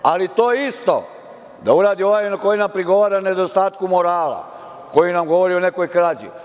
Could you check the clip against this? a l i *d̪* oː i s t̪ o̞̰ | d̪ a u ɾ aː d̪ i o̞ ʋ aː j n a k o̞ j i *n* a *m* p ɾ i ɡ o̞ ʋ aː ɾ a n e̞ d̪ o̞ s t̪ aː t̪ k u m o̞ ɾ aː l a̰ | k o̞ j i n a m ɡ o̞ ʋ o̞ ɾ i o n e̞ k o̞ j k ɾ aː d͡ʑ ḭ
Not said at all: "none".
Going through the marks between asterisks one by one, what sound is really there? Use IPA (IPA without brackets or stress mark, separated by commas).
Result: t̪, n, m